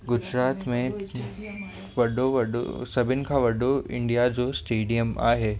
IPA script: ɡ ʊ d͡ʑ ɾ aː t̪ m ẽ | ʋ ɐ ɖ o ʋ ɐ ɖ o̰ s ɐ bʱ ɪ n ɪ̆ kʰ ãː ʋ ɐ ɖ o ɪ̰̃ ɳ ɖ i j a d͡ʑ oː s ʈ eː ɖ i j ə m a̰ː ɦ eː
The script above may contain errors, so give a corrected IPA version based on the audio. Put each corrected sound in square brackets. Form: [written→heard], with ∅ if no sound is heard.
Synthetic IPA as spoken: ɡ ʊ d͡ʑ ɾ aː t̪ m ẽ | ʋ ɐ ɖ o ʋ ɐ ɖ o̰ s ɐ bʱ ɪ n ɪ̆ kʰ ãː ʋ ɐ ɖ o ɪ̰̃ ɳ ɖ i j a d͡ʑ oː s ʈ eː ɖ i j ə m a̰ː ɦ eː